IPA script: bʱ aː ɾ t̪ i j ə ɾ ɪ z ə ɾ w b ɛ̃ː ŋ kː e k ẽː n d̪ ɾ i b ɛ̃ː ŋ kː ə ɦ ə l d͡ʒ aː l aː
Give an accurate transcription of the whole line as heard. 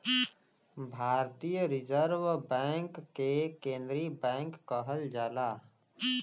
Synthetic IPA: bʱ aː ɾ t̪ i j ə ɾ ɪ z ə ɾ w b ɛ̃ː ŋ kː e k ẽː n d̪ ɾ i b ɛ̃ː ŋ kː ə ɦ ə l d͡ʒ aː l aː

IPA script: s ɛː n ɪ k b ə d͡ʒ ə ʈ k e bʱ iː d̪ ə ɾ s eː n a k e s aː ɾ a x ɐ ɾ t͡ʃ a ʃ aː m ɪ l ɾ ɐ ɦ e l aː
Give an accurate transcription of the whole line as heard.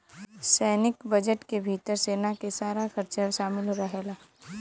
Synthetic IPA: s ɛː n ɪ k b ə d͡ʒ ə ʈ k e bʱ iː t̪ ə ɾ s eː n a k e s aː ɾ a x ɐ ɾ t͡ʃ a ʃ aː m ɪ l ɾ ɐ ɦ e l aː

